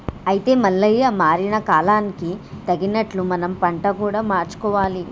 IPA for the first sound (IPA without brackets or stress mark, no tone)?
ɐ